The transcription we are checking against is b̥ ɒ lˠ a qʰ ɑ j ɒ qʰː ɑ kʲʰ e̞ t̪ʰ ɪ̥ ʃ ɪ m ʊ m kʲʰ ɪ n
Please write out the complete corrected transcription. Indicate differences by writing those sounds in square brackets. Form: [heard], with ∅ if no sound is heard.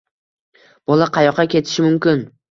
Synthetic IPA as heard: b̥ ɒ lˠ a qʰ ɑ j ɒ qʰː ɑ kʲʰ e̞ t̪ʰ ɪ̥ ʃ ɪ m ʊ m [kʲ] ɪ n